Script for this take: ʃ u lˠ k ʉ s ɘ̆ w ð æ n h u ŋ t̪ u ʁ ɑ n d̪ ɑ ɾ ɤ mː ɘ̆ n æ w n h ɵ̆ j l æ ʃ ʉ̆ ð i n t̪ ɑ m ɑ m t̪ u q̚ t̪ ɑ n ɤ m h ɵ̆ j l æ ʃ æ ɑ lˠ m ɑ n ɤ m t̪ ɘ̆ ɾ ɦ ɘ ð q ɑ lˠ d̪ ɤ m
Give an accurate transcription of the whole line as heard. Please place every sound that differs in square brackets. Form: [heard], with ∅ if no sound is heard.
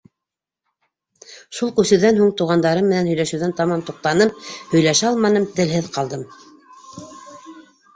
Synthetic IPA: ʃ u lˠ k ʉ s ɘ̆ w ð æ n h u ŋ t̪ u ʁ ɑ n d̪ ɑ ɾ ɤ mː ɘ̆ n æ [∅] n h ɵ̆ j l æ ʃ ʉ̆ ð [æ] n t̪ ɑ m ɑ m t̪ u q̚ t̪ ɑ n ɤ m h ɵ̆ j l æ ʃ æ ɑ lˠ m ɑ n ɤ m t̪ ɘ̆ [l] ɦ ɘ ð q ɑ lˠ d̪ ɤ m